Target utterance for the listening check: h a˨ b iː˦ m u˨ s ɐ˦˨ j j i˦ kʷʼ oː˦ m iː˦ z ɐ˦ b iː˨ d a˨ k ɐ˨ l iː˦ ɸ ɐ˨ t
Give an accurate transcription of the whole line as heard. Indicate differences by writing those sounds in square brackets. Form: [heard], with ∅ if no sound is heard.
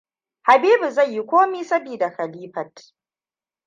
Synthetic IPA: h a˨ b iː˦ [b] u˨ [z] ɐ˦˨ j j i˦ [kʷ] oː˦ m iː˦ [s] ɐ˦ b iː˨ d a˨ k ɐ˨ l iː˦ ɸ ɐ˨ t